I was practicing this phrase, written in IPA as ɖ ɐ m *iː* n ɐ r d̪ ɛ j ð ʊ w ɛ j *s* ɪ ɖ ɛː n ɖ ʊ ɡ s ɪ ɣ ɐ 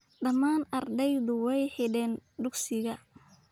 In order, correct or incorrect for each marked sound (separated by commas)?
incorrect, incorrect